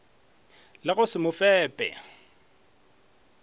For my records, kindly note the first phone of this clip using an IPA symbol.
l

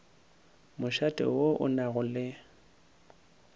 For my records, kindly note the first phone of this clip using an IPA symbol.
m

